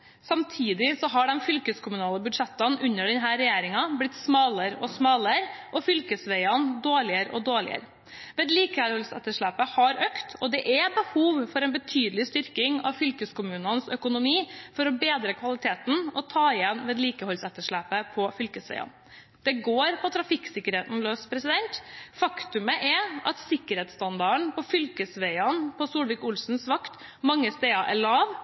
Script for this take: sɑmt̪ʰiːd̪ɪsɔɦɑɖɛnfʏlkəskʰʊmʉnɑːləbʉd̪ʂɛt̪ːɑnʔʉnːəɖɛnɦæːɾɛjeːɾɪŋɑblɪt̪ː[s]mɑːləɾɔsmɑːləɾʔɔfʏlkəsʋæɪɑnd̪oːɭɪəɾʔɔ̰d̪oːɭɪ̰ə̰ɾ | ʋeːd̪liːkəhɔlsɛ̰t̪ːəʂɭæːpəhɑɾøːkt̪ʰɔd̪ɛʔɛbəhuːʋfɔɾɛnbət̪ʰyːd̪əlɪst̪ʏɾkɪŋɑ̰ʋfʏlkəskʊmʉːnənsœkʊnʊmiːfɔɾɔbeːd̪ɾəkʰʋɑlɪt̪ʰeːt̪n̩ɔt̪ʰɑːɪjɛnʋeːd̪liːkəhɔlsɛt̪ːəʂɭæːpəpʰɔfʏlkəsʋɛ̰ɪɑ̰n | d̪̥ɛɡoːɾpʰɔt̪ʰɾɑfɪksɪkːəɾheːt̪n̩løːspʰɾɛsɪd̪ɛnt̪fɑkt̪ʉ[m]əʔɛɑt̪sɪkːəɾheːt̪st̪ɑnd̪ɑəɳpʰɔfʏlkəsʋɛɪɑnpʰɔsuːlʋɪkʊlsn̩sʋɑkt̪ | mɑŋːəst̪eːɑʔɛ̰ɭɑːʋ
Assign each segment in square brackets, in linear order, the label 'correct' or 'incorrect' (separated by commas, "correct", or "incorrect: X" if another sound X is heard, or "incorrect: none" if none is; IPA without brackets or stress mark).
correct, correct